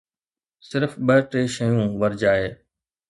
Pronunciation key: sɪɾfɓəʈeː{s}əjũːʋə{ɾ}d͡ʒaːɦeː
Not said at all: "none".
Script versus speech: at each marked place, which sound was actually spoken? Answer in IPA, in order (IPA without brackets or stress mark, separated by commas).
ʃ, ɾ